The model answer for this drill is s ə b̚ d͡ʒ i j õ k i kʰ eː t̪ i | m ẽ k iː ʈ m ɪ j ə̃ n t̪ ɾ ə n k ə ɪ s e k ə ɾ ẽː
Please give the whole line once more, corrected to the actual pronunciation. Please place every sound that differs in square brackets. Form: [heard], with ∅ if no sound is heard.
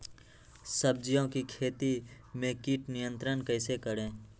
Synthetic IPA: s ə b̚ d͡ʒ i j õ k i kʰ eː t̪ i | m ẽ k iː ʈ [n] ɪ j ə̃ n t̪ ɾ ə n k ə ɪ s e k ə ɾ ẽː

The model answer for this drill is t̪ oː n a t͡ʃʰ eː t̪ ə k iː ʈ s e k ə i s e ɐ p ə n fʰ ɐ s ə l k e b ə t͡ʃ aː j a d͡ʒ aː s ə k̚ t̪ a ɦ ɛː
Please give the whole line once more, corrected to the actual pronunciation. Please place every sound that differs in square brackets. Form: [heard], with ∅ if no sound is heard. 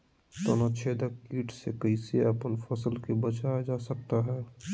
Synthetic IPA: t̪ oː n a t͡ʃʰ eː [d̪] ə k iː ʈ s e k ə i s e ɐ p ə n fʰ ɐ s ə l k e b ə t͡ʃ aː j a d͡ʒ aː s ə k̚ t̪ a ɦ ɛː

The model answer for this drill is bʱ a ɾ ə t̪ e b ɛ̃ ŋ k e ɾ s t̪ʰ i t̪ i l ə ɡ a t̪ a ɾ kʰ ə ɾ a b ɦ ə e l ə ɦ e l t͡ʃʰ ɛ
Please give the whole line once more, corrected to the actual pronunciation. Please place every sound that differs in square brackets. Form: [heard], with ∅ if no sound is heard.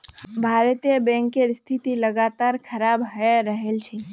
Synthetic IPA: bʱ a ɾ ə t̪ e b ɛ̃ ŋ k e ɾ s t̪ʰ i t̪ i l ə ɡ a t̪ a ɾ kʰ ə ɾ a b ɦ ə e [ɾ] ə ɦ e l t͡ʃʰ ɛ

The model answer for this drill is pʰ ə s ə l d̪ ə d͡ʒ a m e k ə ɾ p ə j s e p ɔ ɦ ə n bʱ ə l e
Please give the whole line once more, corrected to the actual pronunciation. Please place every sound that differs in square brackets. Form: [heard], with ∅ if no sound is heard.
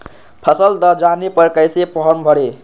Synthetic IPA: pʰ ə s ə l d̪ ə d͡ʒ a [n] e [p] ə ɾ [k] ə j s e p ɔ ɦ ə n bʱ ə [ɽ] e

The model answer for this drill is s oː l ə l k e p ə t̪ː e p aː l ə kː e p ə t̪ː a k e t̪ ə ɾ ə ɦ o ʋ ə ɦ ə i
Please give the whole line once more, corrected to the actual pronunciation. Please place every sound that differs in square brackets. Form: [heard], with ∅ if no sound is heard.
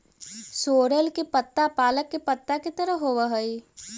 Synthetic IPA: s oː [ɾ] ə l k e p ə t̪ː [a] p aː l ə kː e p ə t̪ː a k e t̪ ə ɾ ə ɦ o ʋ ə ɦ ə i

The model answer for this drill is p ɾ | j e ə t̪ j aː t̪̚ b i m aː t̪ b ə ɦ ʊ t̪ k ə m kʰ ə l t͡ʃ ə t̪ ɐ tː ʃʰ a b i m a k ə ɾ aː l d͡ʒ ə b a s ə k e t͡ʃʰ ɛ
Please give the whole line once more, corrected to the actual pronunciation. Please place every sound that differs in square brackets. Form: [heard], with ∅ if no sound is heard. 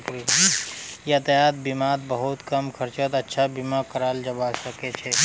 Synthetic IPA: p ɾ | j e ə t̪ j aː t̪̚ b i m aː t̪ b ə ɦ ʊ t̪ k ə m kʰ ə [ɾ] t͡ʃ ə t̪ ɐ tː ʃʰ a b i m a k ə ɾ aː l d͡ʒ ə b a s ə k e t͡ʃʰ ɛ

